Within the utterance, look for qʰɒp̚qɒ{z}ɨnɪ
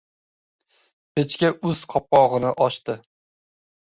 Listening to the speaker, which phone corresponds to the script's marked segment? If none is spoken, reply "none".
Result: ʁ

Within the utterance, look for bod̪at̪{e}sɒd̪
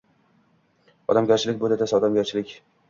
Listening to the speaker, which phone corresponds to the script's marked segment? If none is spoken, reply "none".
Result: a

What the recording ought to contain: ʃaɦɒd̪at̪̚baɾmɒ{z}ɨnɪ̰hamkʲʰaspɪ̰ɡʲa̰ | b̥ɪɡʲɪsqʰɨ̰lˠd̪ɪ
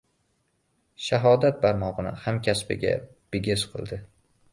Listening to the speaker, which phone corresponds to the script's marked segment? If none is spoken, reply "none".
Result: ʁ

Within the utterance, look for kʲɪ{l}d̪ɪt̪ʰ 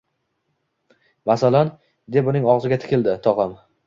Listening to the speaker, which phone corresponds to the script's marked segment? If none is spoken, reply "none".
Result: l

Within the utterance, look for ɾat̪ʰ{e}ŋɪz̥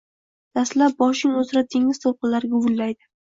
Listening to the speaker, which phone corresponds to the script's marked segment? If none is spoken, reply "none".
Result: e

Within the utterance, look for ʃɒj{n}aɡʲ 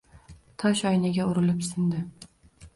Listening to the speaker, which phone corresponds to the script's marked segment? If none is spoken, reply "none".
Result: n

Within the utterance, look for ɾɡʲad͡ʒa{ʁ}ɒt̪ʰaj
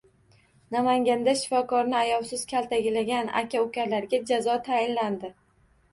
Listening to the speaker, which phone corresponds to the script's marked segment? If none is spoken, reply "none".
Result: z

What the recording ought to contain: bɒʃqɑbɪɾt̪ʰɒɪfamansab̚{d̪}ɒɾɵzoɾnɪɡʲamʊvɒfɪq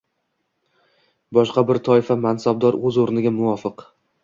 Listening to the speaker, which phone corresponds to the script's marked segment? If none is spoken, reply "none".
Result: d̪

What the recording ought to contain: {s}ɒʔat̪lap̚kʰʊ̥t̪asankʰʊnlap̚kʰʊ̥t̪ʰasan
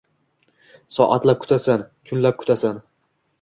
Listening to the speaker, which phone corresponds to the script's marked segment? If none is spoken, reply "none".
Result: s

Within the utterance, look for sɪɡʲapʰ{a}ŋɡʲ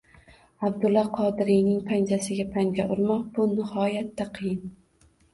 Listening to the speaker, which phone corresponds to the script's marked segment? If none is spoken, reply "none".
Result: a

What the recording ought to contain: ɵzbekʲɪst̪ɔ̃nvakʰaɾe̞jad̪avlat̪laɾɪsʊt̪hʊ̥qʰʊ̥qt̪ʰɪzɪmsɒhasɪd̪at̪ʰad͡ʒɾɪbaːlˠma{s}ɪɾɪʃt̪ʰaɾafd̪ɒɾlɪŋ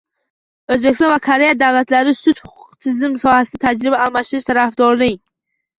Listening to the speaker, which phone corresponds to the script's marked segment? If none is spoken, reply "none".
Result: ʃ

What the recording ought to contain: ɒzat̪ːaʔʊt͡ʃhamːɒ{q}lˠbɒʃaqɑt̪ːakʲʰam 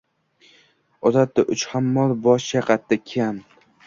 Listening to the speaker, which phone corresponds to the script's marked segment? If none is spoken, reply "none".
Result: none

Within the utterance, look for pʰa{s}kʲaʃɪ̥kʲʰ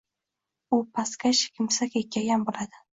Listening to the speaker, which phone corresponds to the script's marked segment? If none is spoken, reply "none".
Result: s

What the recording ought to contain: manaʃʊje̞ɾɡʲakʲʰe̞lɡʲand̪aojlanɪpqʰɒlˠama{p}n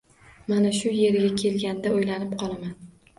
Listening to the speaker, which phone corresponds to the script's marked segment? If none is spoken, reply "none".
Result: none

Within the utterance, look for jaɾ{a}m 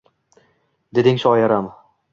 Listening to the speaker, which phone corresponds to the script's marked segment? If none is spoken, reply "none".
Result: a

